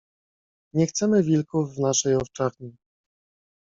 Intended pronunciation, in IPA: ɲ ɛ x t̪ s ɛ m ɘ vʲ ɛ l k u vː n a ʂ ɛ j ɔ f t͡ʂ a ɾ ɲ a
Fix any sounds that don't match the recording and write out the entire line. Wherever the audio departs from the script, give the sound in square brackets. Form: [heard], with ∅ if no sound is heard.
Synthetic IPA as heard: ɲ ɛ x t̪ s ɛ m ɘ vʲ [i] l k u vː n a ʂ ɛ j ɔ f t͡ʂ a ɾ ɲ [i]